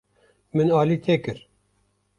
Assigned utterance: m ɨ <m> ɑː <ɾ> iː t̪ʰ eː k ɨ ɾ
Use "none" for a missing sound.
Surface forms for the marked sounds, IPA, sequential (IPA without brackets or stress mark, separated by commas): n, l